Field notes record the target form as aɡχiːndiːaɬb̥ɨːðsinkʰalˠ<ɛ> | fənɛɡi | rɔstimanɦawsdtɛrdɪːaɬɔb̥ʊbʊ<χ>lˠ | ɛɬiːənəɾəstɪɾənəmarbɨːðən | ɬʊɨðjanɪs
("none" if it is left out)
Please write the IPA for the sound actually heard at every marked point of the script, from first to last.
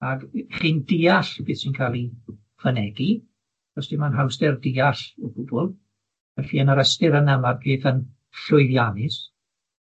i, none

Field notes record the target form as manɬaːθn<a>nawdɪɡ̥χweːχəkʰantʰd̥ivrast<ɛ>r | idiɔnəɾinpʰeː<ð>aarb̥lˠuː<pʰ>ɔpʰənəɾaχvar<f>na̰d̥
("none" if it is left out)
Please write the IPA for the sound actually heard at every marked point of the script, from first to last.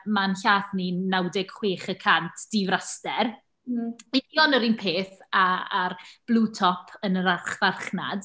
i, ɛ, θ, tʰ, χ

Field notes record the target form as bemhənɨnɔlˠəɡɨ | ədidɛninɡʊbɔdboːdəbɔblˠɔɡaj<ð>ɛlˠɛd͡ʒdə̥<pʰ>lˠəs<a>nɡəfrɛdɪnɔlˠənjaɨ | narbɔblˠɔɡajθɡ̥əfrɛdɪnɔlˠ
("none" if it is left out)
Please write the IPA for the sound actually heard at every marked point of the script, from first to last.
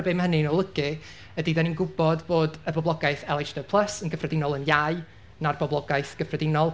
θ, pʰ, ə

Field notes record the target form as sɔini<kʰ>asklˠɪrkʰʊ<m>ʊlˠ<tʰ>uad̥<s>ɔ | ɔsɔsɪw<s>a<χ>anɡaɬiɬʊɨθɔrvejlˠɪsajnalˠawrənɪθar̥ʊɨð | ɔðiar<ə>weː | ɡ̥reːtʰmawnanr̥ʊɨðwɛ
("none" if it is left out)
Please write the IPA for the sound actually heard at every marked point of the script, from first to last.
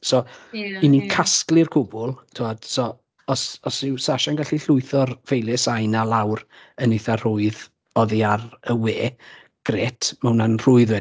kʰ, b, tʰ, s, s, ʃ, ə

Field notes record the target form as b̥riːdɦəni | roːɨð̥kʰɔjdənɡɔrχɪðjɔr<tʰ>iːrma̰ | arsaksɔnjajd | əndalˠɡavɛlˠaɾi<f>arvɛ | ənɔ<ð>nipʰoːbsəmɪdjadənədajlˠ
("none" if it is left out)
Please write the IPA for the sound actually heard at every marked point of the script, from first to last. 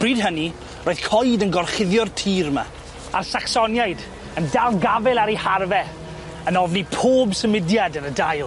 tʰ, h, v

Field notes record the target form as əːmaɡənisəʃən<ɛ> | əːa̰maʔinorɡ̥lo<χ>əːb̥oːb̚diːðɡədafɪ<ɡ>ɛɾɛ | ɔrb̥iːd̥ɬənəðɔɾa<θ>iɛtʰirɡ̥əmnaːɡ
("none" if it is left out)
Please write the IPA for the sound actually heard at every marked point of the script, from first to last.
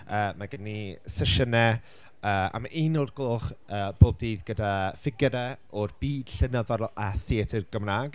ɛ, χ, ɡ, θ

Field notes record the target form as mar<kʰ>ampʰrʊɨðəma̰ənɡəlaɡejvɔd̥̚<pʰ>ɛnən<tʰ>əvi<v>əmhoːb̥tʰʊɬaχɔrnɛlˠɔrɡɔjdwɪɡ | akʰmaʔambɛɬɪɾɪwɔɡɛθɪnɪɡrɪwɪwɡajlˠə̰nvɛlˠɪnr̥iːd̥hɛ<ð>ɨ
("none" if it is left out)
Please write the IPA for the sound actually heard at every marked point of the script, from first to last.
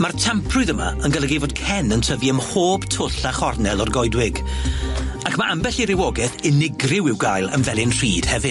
tʰ, kʰ, tʰ, none, v

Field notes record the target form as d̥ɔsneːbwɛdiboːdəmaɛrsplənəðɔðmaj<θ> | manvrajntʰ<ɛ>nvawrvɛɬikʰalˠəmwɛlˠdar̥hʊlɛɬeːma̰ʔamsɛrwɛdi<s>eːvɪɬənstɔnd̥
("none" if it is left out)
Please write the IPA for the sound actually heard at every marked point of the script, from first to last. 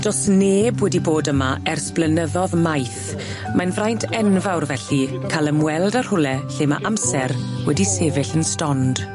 θ, ɛ, s

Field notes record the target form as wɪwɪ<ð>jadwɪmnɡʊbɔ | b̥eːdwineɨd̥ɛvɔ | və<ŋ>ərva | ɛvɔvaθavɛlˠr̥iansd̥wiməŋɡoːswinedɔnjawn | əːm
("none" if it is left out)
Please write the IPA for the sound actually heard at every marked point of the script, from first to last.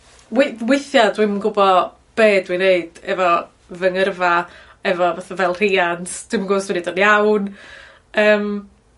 θ, ŋ

